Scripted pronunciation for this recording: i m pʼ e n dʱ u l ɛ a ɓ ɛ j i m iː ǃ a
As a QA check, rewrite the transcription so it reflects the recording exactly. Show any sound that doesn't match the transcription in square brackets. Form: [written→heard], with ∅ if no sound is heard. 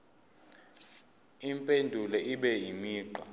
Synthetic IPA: i m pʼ e n dʱ u l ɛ [a→i] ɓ ɛ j i m iː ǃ a